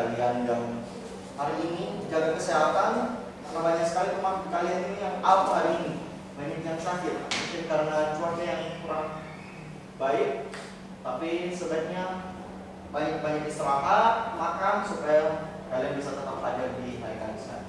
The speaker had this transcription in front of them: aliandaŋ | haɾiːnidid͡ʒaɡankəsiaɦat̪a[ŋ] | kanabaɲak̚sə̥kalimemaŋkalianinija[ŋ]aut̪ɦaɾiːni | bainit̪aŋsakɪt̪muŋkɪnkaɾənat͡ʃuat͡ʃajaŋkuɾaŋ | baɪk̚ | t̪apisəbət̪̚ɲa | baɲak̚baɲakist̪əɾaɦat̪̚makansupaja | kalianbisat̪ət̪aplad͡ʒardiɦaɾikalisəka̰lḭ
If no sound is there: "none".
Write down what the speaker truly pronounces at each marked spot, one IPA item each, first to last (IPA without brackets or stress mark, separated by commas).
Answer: n, ŋ